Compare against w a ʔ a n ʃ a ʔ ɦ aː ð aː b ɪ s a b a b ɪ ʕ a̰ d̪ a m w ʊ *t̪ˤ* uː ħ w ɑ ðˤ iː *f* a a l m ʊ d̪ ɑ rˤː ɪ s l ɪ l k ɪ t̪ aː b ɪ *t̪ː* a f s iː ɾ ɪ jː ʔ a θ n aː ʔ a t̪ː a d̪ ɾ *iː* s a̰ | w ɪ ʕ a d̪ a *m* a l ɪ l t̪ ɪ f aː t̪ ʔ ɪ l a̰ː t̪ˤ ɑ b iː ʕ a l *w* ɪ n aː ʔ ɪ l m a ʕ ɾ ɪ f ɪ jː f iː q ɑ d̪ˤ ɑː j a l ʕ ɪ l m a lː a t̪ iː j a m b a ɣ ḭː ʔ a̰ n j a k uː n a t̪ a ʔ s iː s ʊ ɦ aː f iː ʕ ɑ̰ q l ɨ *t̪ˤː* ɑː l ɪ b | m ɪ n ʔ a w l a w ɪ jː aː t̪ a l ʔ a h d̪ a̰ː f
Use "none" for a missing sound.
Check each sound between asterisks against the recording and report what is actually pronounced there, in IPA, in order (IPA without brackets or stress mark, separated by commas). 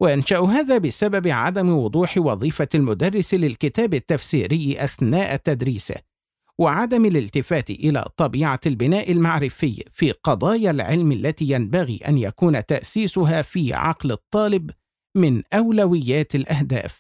d̪ˤ, f, t̪ː, iː, m, b, t̪ˤː